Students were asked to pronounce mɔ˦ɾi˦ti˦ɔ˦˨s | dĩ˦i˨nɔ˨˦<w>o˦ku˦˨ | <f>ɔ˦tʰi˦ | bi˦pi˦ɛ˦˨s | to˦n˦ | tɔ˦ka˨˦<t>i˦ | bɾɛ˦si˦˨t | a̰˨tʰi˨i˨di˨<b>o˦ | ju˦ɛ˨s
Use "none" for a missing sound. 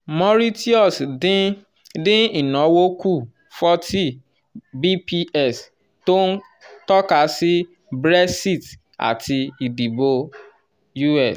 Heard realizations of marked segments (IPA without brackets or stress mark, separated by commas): w, f, s, b